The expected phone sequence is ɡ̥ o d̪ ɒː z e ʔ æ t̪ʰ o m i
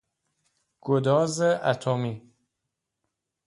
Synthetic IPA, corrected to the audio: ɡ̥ o d̪ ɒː z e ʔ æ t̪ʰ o m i